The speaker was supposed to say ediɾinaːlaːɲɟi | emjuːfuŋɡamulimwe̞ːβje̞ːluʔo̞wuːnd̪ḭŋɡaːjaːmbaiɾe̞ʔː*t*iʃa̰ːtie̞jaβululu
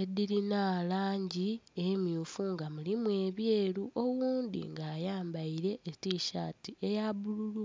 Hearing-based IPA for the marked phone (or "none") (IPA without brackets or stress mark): t